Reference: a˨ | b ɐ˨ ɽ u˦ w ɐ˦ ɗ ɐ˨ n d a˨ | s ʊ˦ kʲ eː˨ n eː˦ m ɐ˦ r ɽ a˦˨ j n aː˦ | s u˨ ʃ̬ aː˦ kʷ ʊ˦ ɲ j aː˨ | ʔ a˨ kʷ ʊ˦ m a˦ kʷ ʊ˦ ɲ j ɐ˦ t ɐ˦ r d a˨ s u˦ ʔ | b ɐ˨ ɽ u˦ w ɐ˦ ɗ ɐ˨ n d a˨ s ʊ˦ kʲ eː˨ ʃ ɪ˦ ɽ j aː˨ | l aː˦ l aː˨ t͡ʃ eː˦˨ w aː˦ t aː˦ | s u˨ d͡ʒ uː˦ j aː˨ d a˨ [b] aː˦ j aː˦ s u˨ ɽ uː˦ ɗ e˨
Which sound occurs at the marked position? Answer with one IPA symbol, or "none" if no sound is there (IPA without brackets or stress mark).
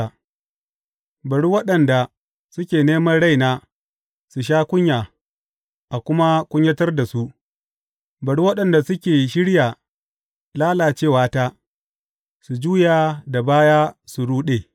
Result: b